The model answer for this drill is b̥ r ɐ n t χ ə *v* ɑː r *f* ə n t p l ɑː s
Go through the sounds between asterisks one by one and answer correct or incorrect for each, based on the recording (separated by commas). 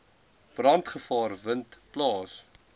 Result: incorrect, incorrect